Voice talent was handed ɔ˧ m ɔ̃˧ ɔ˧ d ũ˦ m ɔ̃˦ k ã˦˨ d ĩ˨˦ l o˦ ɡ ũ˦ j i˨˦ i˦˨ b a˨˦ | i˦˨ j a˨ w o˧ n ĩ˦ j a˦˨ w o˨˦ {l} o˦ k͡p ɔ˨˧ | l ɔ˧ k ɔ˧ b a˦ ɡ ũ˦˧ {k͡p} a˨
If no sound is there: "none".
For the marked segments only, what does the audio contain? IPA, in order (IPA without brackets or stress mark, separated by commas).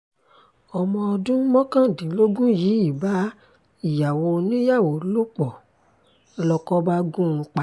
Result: l, k͡p